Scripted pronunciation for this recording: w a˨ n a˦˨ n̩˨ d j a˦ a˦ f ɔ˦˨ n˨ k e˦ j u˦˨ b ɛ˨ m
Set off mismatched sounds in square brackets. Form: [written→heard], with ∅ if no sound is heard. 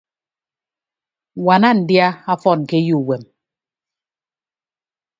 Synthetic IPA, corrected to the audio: w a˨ n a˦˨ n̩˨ d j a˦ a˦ f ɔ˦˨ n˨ k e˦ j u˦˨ [b→w] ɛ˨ m